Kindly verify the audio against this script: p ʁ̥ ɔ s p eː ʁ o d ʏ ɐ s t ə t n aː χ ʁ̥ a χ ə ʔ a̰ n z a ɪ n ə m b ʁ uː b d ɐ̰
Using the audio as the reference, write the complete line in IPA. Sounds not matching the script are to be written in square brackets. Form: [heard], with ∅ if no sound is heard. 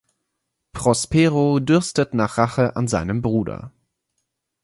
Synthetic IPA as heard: p ʁ̥ ɔ s p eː ʁ o d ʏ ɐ s t ə t n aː χ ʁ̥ a χ ə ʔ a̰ n z a ɪ n ə m b ʁ uː [∅] d ɐ̰